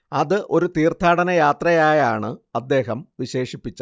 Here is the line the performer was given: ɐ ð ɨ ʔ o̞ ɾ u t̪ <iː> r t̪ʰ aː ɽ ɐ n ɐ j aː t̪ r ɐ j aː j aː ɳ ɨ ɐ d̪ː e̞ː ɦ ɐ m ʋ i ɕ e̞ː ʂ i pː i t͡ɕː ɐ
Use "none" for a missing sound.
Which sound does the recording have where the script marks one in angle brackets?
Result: iː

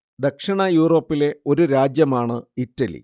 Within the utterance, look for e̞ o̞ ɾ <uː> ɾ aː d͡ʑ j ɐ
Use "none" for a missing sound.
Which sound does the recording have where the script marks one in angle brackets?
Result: u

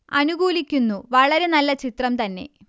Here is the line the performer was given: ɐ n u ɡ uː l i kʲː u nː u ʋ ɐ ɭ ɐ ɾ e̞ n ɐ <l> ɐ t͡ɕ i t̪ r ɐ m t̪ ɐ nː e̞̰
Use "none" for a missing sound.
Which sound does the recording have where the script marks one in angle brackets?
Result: lː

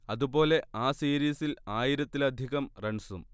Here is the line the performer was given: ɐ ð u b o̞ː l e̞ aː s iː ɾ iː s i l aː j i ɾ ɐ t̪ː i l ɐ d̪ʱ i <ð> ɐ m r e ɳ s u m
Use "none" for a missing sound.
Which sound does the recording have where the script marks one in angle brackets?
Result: ɣ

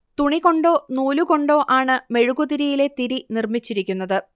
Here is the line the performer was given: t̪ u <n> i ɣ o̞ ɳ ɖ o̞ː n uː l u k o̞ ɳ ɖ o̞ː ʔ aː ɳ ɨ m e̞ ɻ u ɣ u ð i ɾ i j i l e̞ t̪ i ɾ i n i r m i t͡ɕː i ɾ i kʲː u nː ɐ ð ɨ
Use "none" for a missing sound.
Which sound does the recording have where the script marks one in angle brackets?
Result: ɳ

